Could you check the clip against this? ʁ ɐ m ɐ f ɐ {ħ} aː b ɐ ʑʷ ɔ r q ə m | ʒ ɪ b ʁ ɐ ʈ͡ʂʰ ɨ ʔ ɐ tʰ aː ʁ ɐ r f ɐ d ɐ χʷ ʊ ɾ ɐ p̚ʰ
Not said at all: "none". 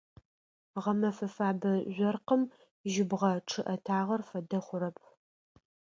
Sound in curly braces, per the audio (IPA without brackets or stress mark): f